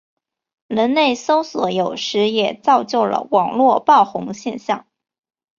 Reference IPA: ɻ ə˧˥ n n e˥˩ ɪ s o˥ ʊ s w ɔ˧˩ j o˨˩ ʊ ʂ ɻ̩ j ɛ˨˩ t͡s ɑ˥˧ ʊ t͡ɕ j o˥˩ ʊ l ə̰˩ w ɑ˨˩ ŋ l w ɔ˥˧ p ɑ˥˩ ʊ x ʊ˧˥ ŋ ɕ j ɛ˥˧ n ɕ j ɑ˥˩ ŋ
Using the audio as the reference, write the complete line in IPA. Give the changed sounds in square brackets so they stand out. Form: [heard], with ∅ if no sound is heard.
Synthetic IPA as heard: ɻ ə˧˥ n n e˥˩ ɪ s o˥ ʊ s w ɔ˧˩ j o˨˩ ʊ ʂ ɻ̩ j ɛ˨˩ t͡s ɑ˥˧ ʊ t͡ɕ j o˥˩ ʊ l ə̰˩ w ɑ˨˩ ŋ l w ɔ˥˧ p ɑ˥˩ ʊ x ʊ˧˥ ŋ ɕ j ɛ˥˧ n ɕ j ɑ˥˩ ŋ